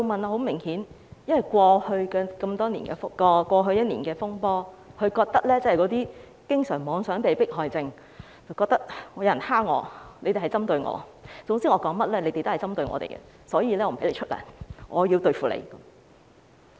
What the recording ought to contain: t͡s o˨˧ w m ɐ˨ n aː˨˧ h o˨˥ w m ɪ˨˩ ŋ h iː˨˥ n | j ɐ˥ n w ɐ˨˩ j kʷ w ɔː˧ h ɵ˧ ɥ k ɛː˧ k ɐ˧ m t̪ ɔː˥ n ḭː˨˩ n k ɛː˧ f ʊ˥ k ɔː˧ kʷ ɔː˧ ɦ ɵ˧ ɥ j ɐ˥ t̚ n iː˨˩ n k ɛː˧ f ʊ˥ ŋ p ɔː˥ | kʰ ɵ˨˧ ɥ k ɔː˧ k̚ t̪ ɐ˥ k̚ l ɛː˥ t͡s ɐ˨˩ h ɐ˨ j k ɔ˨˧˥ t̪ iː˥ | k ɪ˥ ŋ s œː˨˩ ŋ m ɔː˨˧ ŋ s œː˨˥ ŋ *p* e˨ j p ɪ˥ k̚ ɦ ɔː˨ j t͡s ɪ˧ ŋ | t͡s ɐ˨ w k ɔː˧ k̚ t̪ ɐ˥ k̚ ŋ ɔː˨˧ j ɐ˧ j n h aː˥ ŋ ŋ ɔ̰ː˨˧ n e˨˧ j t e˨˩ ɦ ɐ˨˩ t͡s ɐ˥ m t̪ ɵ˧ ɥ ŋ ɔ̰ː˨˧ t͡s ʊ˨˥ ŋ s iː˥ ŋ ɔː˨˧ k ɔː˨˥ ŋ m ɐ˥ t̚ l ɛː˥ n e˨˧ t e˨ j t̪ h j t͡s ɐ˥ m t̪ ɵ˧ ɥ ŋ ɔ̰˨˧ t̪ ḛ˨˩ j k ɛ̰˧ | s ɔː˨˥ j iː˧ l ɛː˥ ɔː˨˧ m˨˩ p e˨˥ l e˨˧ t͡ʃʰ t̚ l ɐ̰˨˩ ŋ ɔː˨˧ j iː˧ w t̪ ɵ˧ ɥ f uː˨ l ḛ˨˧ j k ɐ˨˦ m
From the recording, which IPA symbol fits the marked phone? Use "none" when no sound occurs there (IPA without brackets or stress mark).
p